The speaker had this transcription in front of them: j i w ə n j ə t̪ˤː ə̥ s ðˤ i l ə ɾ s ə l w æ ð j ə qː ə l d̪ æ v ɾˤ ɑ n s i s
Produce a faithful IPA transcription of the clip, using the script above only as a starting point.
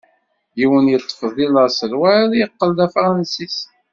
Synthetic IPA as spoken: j i w ə n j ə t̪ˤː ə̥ f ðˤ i l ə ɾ s ə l w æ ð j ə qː ə l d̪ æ f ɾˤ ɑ n s i s